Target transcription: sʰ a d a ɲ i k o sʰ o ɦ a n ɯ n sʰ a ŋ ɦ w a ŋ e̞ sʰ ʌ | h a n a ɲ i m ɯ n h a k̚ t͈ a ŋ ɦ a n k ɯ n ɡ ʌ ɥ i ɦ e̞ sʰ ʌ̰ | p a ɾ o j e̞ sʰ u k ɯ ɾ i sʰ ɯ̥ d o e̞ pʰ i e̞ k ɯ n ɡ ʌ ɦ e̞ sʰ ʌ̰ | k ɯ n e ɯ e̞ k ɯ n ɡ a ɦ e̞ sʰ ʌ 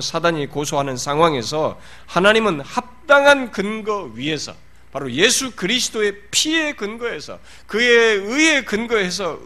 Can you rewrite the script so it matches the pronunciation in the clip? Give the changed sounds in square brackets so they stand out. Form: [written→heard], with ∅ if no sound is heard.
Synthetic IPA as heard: sʰ a d a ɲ i k o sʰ o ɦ a n ɯ n sʰ a ŋ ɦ w a ŋ e̞ sʰ ʌ | h a n a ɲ i m ɯ n h a [k̚→p̚] t͈ a ŋ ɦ a n k ɯ n ɡ ʌ ɥ i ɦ e̞ sʰ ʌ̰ | p a ɾ o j e̞ sʰ u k ɯ ɾ i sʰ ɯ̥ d o e̞ pʰ i e̞ k ɯ n ɡ ʌ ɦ e̞ sʰ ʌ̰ | k ɯ [n→∅] e ɯ e̞ k ɯ n ɡ [a→ʌ] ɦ e̞ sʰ ʌ